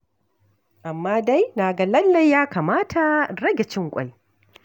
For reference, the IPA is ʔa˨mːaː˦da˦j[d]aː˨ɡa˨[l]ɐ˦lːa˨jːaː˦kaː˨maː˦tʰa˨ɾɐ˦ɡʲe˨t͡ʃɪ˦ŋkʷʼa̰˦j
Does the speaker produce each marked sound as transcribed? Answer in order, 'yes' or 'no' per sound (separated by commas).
no, yes